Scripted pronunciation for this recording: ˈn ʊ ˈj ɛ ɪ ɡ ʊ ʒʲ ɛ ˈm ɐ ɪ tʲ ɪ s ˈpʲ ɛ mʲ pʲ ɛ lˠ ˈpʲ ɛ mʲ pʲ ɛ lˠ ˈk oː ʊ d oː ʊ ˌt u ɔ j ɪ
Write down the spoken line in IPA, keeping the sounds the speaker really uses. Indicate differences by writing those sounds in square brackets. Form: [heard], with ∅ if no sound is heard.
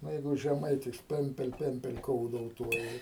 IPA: ˈn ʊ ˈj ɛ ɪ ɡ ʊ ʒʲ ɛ ˈm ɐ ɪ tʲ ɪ s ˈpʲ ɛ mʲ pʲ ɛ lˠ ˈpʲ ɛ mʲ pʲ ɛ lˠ ˈk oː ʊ d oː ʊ ˌt u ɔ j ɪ